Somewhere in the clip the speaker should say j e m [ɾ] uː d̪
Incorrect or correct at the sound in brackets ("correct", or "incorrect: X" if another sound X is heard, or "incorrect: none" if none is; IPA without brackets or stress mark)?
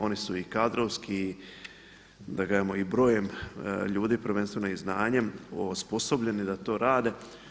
incorrect: ʎ